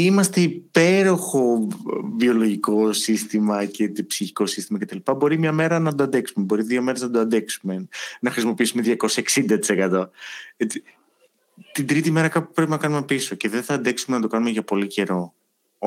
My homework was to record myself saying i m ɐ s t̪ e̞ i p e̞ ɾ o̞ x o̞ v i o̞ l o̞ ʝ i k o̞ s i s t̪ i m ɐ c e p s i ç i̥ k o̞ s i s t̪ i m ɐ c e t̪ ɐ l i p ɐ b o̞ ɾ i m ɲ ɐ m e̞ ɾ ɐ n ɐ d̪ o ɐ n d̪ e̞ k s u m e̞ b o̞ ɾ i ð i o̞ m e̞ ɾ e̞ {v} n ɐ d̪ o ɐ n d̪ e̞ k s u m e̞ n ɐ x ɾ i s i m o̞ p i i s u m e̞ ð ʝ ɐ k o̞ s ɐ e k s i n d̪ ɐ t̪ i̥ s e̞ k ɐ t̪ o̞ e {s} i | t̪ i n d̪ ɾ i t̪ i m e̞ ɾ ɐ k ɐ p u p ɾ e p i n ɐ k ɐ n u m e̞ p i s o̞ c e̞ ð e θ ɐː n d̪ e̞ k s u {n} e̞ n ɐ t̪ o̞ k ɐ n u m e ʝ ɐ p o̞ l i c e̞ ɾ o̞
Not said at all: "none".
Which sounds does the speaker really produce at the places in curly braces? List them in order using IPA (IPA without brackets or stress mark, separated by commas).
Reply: z, t͡s, m